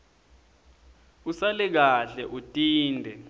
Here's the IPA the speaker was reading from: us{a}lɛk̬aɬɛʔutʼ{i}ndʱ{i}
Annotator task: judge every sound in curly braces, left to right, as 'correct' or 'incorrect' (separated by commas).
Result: correct, incorrect, incorrect